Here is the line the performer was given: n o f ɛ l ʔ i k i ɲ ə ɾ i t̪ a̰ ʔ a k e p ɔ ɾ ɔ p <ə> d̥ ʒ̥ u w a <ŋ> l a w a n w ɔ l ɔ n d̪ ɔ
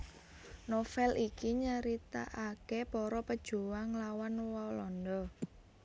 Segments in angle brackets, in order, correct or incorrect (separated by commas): correct, correct